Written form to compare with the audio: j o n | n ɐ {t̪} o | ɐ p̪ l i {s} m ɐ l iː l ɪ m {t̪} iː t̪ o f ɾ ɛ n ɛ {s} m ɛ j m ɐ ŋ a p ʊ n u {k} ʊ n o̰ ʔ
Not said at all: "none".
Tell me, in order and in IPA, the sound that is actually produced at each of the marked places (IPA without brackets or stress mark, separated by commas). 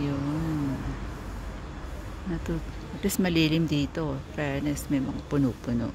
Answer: t̪, s, d̪, s, p